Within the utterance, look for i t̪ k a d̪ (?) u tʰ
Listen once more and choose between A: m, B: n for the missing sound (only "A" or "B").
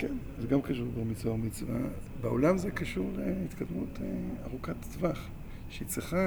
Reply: A